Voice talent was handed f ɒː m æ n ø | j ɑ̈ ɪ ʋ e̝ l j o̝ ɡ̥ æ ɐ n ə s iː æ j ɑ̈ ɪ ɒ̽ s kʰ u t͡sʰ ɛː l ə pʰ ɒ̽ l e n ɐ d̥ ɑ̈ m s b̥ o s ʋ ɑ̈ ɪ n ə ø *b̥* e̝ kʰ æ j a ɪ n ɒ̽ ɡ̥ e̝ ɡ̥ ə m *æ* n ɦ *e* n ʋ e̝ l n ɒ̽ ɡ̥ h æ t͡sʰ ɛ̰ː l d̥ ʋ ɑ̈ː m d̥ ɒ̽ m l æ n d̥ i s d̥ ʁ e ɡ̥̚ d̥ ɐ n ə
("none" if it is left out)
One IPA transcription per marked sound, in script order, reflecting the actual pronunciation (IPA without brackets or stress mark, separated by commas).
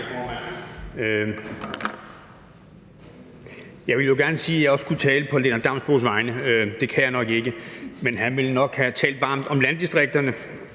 d̥, e, æ